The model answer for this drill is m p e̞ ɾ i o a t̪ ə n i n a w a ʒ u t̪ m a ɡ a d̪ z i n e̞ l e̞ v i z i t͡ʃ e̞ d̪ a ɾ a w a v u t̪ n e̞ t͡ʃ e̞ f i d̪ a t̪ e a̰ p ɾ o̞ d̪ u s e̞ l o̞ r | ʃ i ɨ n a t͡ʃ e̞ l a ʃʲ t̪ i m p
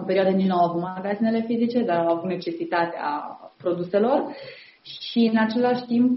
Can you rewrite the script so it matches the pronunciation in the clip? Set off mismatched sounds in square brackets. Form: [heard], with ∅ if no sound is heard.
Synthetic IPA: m p e̞ ɾ i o a [d̪] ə n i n a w a [v] u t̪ m a ɡ a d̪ z i n e̞ l e̞ [f] i z i t͡ʃ e̞ d̪ a ɾ a w a v u t̪ n e̞ t͡ʃ e̞ [s] i [t̪] a t̪ e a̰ p ɾ o̞ d̪ u s e̞ l o̞ r | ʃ i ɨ n a t͡ʃ e̞ l a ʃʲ t̪ i m p